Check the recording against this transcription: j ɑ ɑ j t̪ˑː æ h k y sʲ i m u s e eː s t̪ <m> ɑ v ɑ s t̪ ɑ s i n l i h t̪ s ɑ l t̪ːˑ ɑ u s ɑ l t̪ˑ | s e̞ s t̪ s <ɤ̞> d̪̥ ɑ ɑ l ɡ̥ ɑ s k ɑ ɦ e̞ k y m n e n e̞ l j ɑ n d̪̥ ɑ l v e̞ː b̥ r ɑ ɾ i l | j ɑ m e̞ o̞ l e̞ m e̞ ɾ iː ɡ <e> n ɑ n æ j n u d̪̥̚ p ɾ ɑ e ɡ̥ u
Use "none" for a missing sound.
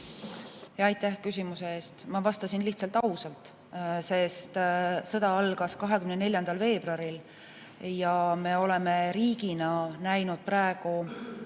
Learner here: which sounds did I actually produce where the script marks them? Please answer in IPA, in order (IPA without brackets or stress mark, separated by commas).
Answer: m, ɤ̞, i